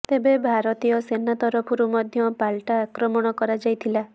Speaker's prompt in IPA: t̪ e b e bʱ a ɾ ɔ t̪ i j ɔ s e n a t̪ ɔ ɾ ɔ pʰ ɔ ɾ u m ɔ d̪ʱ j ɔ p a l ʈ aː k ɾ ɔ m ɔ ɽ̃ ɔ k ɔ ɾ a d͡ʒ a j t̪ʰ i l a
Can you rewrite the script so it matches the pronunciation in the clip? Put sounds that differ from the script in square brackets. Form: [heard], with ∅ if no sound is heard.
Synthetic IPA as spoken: t̪ e b e bʱ a ɾ ɔ t̪ i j ɔ s e n a t̪ ɔ ɾ ɔ pʰ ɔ ɾ u m ɔ d̪ʱ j ɔ p a l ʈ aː k ɾ ɔ m ɔ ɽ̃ ɔ k ɔ ɾ a d͡ʒ a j t̪ʰ i l a